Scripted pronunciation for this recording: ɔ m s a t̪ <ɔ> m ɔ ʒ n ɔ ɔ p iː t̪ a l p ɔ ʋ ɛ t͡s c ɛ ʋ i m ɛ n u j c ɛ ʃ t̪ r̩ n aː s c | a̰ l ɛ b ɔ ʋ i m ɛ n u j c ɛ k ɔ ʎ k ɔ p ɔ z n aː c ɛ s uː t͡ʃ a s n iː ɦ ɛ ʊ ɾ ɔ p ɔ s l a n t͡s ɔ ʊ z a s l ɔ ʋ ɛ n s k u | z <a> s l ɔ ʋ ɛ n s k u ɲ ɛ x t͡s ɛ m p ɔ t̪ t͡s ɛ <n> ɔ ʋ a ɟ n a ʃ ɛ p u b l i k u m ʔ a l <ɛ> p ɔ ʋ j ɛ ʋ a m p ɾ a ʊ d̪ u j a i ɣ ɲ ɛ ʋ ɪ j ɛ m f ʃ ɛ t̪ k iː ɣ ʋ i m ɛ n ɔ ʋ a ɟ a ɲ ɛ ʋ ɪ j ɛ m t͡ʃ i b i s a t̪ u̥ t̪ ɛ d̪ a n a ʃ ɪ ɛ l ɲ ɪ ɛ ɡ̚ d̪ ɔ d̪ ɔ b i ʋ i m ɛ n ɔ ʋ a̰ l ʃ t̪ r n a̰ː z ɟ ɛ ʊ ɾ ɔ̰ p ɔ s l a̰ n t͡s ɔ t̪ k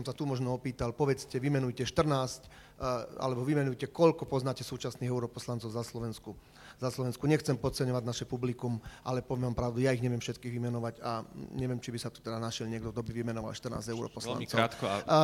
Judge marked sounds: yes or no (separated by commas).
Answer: no, yes, no, yes